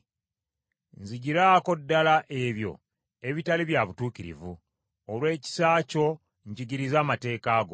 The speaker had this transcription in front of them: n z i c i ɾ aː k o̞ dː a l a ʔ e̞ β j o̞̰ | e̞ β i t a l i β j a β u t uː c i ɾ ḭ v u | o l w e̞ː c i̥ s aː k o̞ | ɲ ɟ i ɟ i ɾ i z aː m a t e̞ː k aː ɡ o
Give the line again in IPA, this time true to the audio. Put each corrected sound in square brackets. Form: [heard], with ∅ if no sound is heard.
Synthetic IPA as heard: n z i [ɟ] i ɾ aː k o̞ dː a l a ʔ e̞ β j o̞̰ | e̞ β i t a l i β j a β u t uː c i ɾ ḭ v u | o l w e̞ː c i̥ s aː [c] o̞ | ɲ ɟ i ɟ i ɾ i z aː m a t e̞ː k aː ɡ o